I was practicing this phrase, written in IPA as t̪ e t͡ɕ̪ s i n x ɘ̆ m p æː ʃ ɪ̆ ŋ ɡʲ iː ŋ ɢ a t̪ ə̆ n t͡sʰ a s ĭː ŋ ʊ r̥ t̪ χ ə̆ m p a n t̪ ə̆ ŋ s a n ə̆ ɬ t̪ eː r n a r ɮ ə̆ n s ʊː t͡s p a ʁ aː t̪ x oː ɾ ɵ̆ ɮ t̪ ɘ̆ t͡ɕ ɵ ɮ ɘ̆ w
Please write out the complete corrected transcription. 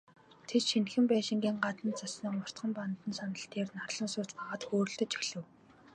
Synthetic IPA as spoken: t̪ʰ e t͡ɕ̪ ʃ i n x ɘ̆ m p æː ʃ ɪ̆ ŋ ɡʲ iː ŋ ɢ a t̪ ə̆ n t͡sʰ a s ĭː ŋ ʊ r̥ t̪ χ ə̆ m p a n t̪ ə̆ n s a n ə̆ ɬ t̪ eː r n a r ɮ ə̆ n s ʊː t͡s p a ʁ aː t̪ x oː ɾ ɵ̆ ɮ t̪ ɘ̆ t͡ɕ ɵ ɮ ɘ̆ w